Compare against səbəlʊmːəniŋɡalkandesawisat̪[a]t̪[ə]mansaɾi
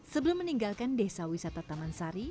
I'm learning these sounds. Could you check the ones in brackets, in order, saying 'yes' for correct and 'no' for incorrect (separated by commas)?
yes, no